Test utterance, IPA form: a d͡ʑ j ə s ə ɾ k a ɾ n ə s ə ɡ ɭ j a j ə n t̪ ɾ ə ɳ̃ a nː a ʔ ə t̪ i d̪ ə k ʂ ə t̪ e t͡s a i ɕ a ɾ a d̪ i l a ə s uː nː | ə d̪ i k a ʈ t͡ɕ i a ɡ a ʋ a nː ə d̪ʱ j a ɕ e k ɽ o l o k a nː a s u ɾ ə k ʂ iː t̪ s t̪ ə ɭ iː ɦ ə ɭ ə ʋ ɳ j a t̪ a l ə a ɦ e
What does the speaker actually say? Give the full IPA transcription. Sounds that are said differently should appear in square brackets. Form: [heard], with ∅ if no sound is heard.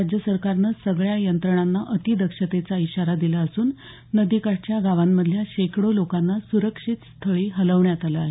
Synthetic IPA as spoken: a d͡ʑ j ə s ə ɾ k a ɾ n ə s ə ɡ ɭ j a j ə n t̪ ɾ ə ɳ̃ a nː a ʔ ə t̪ i d̪ ə k ʂ ə t̪ e t͡s a i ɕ a ɾ a d̪ i l a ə s uː nː | ə d̪ i k a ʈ t͡ɕ [j] a ɡ a ʋ a [mː] ə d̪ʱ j a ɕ e k ɽ o l o k a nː a s u ɾ ə k ʂ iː t̪ s [t̪ʰ] ə ɭ iː ɦ ə [l] ə ʋ ɳ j a t̪ a l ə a ɦ e